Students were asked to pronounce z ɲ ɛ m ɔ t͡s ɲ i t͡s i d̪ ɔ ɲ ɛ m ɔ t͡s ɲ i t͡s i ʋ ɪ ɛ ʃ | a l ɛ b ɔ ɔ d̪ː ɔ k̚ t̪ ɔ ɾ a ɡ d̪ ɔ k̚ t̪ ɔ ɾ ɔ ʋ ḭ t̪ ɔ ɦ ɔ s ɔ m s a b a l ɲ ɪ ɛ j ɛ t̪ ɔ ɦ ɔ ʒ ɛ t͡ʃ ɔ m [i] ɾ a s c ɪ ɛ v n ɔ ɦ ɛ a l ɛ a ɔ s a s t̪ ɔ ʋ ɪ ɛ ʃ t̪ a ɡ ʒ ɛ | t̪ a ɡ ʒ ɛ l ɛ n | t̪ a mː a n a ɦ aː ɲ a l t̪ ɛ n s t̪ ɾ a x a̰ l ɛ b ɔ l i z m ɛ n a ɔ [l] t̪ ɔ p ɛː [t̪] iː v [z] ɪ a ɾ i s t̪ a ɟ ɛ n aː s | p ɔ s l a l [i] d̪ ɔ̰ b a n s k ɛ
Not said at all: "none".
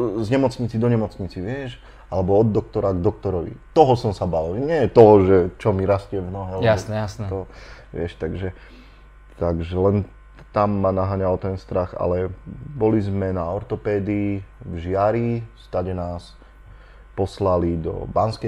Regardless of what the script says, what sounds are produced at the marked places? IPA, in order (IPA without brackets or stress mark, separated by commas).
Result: i, ɾ, d̪, ʒ, i